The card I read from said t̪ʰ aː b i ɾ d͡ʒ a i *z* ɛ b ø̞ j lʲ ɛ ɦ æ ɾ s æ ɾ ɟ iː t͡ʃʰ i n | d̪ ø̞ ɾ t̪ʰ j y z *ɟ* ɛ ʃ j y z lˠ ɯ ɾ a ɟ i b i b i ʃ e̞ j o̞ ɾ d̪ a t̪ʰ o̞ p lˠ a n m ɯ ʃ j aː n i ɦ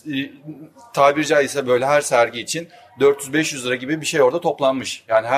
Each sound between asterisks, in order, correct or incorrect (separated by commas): incorrect, incorrect